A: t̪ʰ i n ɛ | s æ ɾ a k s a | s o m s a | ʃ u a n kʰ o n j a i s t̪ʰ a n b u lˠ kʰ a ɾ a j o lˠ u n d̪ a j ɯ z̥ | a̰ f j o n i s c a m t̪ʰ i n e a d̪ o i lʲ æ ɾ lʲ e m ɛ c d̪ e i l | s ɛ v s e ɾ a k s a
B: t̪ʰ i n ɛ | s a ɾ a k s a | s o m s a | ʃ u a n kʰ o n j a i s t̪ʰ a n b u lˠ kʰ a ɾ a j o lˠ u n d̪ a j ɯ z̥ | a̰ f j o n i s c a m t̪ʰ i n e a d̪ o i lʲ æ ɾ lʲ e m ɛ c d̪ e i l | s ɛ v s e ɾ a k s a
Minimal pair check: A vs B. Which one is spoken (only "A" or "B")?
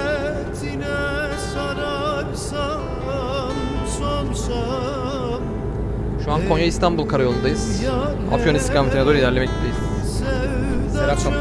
B